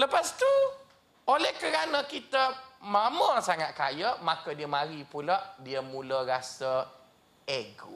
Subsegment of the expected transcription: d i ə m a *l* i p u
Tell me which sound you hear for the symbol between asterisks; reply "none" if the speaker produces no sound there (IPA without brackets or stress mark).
ɾ